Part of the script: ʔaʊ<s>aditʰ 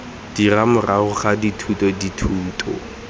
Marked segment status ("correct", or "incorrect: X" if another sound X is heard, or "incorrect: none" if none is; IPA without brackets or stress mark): incorrect: χ